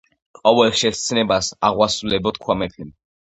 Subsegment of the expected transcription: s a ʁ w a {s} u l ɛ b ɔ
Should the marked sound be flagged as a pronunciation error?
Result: no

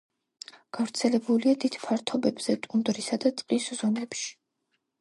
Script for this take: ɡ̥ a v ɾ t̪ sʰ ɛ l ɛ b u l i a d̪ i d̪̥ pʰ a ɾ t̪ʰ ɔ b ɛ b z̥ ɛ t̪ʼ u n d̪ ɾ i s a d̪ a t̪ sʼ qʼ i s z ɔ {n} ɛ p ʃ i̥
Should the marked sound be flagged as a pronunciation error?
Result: yes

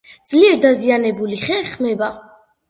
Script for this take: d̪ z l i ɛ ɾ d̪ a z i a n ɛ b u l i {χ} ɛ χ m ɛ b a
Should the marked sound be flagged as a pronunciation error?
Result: no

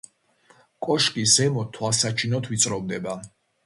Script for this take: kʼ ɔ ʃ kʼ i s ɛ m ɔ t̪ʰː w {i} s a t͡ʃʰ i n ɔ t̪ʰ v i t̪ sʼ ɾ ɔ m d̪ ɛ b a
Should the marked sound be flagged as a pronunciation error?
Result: yes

